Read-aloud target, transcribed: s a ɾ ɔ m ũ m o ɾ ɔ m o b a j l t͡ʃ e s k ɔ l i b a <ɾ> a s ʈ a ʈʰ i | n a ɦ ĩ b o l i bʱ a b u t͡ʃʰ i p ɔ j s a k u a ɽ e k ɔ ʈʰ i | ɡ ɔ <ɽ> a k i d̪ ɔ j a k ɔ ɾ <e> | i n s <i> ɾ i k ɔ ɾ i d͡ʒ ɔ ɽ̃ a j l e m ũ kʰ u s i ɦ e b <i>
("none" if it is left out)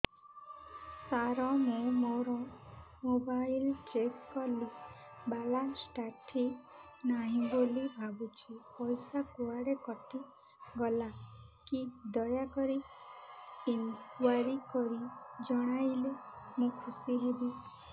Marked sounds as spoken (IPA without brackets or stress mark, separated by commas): l, l, i, a, i